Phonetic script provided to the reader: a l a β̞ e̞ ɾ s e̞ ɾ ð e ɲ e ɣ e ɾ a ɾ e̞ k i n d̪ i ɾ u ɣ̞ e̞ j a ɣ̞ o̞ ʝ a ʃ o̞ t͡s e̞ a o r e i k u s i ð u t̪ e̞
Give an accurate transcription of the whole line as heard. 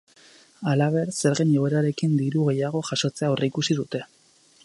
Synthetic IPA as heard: a l a β̞ e̞ ɾ s e̞ ɾ ɣ e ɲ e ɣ e ɾ a ɾ e̞ k i n d̪ i ɾ u ɣ̞ e̞ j a ɣ̞ o̞ ʝ a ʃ o̞ t͡s e̞ a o r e i k u s i ð u t̪ e̞